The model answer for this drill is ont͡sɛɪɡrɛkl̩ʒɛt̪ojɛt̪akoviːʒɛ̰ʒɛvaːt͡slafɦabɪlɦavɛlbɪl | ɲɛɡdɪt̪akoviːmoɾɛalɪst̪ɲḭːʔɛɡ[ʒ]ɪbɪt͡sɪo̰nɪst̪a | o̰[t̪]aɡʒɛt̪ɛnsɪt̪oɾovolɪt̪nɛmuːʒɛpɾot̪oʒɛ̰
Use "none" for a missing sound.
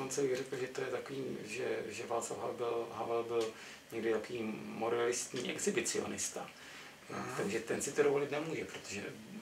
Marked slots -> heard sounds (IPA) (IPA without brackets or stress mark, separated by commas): z, t̪